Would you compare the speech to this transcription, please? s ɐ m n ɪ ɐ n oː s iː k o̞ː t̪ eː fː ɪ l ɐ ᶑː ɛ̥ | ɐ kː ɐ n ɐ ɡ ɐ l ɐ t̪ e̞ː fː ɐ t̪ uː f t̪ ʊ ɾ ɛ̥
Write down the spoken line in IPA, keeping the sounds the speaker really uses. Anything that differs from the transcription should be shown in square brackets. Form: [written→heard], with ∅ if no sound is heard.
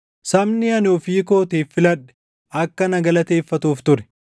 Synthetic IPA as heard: s ɐ m n ɪ ɐ n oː [s→f] iː k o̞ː t̪ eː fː ɪ l ɐ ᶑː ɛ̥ | ɐ kː ɐ n ɐ ɡ ɐ l ɐ t̪ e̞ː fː ɐ t̪ uː f t̪ ʊ ɾ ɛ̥